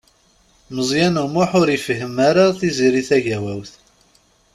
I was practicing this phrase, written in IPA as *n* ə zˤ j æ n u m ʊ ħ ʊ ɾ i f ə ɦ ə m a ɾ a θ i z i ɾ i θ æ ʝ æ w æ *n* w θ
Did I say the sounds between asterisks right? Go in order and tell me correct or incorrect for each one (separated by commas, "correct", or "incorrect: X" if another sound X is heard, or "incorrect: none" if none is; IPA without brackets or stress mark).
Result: incorrect: m, incorrect: none